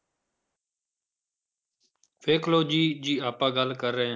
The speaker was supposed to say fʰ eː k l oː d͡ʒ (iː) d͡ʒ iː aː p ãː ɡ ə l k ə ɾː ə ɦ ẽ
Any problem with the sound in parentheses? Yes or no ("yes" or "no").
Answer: no